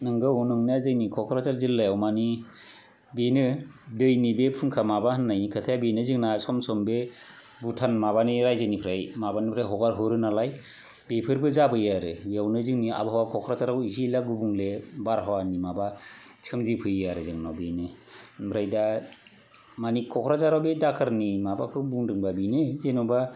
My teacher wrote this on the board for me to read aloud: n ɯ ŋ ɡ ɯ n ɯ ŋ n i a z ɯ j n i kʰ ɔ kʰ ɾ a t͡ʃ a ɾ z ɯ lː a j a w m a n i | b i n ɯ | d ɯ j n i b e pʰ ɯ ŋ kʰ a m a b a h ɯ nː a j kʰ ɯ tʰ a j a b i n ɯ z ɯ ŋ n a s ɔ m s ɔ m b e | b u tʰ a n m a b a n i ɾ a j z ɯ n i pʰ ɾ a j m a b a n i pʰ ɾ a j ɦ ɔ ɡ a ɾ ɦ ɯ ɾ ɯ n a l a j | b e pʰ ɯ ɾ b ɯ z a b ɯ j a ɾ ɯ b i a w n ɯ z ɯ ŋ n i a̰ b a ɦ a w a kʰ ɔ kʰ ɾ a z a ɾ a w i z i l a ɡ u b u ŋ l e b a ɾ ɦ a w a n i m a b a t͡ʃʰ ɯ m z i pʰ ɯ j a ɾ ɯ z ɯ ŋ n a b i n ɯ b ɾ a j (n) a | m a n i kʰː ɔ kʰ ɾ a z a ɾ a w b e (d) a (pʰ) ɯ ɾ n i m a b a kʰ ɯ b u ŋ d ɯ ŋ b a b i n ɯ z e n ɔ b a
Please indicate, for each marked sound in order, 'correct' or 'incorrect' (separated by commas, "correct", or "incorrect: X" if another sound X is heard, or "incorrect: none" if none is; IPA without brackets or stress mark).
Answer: incorrect: d, correct, incorrect: kʰ